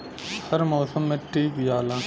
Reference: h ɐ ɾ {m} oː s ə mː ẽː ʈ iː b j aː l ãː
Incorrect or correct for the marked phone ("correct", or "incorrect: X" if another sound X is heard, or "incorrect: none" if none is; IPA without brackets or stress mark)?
correct